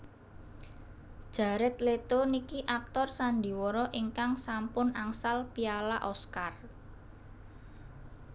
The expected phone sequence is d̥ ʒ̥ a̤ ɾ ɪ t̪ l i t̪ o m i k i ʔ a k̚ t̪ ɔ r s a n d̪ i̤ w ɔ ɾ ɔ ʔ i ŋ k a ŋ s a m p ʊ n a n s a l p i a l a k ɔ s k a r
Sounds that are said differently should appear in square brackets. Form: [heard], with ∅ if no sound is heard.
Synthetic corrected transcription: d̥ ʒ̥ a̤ ɾ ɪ t̪ l [e] t̪ o [n] i k i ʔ a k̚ t̪ ɔ r s a n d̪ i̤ w ɔ ɾ ɔ ʔ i ŋ k a ŋ s a m p ʊ n a [ŋ] s a l p i a l a [ʔ] ɔ s k a r

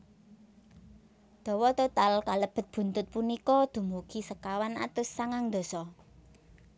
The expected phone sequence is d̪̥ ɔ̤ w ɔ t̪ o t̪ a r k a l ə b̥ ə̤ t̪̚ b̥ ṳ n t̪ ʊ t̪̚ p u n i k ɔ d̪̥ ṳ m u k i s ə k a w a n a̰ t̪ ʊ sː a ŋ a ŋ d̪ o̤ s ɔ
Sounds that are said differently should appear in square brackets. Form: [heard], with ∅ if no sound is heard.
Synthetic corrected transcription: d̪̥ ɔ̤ w ɔ t̪ o t̪ a [l] k a l ə b̥ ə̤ t̪̚ b̥ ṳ n t̪ ʊ t̪̚ p u n i k ɔ d̪̥ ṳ m u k i s ə k a w a n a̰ t̪ ʊ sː a ŋ a ŋ d̪ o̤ s ɔ

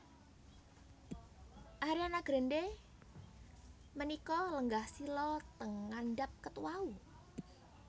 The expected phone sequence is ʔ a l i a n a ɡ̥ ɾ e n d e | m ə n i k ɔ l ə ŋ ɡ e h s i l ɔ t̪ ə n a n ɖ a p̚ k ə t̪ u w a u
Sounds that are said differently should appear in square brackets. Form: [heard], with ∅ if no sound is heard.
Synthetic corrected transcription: ʔ a [ɾ] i a n a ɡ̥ ɾ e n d e | m ə n i k ɔ l ə ŋ ɡ [a] h s i l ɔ t̪ ə [ŋ] a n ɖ a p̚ k ə t̪ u w a u

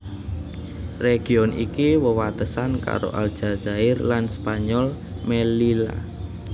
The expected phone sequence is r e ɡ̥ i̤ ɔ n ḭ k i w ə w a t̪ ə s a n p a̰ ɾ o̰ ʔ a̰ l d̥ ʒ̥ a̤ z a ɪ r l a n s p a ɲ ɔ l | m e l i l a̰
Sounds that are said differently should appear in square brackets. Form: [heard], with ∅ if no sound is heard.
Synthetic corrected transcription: r e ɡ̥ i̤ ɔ n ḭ k i w ə w a t̪ ə s a n [k] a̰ ɾ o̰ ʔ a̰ l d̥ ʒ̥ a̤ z a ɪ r l a n s p a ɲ ɔ l | m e l i l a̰

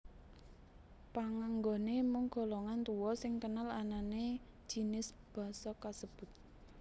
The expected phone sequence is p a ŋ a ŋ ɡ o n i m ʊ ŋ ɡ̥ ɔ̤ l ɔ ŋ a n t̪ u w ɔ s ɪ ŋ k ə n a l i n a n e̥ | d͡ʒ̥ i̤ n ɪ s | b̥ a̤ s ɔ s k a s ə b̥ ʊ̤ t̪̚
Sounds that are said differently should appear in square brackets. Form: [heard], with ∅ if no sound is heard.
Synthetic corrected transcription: p a ŋ a ŋ ɡ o n [e] m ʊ ŋ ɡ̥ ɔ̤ l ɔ ŋ a n t̪ u w ɔ s ɪ ŋ k ə n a l [a] n a n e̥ | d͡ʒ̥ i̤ n ɪ s | b̥ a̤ s ɔ [∅] k a s ə b̥ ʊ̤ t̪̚

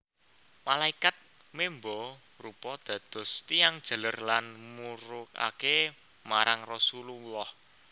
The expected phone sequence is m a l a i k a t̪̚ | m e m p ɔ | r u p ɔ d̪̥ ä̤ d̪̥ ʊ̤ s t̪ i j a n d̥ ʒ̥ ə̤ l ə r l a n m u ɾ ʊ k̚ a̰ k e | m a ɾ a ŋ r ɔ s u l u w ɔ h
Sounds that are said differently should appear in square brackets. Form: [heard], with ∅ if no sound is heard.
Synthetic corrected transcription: m a l a i k a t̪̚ | m e m [b] ɔ | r u p ɔ d̪̥ ä̤ d̪̥ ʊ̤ s t̪ i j a [ŋ] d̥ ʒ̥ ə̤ l ə r l a n m u ɾ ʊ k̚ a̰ k e | m a ɾ a ŋ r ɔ s u l u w ɔ h

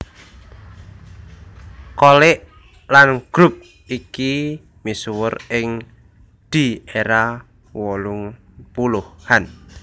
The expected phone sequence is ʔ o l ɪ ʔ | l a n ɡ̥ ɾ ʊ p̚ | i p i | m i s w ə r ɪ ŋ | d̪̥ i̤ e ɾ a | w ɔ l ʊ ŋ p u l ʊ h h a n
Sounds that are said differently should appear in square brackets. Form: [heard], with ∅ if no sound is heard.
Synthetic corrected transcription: [k] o l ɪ ʔ | l a n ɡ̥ ɾ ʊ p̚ | i [k] i | m i s w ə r ɪ ŋ | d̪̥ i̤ e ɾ a | w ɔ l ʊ ŋ p u l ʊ h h a n

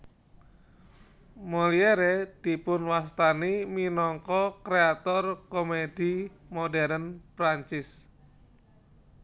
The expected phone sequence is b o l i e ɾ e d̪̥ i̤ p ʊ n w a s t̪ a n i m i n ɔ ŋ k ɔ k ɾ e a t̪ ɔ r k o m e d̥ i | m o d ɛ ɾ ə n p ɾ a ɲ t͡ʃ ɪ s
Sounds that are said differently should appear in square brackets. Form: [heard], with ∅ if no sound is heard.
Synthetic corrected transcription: [m] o l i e ɾ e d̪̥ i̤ p ʊ n w a s t̪ a n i m i n ɔ ŋ k ɔ k ɾ e a t̪ ɔ r k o m e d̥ i | m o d ɛ ɾ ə n p ɾ a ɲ t͡ʃ ɪ s

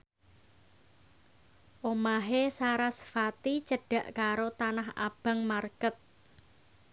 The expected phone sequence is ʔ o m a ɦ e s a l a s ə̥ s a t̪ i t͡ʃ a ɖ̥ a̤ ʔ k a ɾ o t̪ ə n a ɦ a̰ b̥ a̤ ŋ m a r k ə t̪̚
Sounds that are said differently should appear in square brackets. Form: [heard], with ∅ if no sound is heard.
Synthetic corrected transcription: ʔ o m a ɦ e s a [ɾ] a s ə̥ [f] a t̪ i t͡ʃ [ə] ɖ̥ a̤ ʔ k a ɾ o t̪ [a] n a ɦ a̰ b̥ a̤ ŋ m a r k ə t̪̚

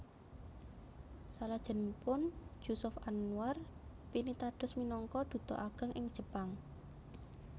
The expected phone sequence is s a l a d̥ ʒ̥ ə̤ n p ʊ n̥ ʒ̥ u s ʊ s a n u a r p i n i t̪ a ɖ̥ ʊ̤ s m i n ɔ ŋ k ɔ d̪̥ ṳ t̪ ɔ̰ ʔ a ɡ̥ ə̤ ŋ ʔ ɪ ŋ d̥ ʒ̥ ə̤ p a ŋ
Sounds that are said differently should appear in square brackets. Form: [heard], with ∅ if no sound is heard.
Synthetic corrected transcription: s a l a d̥ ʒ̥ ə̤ n p ʊ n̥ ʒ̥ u s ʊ [f] a n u a r p i n i t̪ a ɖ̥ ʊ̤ s m i n ɔ ŋ k ɔ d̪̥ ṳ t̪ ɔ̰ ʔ a ɡ̥ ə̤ ŋ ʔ ɪ ŋ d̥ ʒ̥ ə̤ p a ŋ

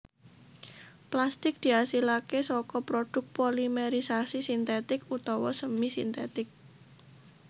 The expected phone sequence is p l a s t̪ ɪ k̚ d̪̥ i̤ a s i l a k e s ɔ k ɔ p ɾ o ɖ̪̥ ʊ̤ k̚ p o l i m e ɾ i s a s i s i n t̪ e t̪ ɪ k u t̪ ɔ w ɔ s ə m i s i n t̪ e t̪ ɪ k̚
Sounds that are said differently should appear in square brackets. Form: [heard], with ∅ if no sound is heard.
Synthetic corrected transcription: p l a s t̪ ɪ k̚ d̪̥ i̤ a s i l a k e s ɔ k ɔ p ɾ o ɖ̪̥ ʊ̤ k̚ p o l i m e ɾ i s a s i s i n t̪ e t̪ ɪ k u t̪ ɔ w ɔ s ə m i s i n t̪ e t̪ ɪ k̚

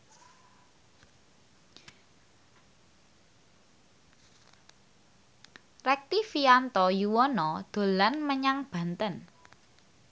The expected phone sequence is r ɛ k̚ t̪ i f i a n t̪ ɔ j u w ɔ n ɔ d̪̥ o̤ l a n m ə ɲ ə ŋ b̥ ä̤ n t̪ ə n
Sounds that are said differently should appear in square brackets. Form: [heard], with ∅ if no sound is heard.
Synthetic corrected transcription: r ɛ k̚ t̪ i f i a n t̪ ɔ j u w ɔ n ɔ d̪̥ o̤ l a n m ə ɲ [a] ŋ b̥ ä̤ n t̪ ə n

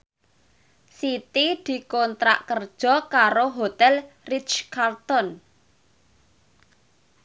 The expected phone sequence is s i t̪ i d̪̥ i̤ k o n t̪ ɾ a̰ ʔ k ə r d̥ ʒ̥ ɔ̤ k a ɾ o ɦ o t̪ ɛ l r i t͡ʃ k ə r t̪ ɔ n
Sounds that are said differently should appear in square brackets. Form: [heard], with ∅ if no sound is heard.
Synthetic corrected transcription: s i t̪ i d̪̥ i̤ k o n t̪ ɾ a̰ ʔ k ə r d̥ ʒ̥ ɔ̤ k a ɾ o ɦ o t̪ ɛ l r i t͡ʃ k [a] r t̪ ɔ n

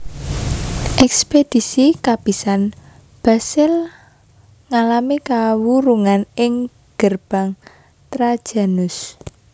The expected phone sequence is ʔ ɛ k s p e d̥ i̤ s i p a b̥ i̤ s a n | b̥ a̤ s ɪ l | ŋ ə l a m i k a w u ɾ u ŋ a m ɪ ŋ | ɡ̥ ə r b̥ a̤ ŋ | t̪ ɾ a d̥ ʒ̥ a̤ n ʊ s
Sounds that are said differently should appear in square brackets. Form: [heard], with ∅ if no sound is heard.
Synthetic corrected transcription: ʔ ɛ k s p e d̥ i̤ s i [k] a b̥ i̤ s a n | b̥ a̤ s ɪ l | ŋ [a] l a m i k a w u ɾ u ŋ a [n] ɪ ŋ | ɡ̥ ə r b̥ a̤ ŋ | t̪ ɾ a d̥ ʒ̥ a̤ n ʊ s

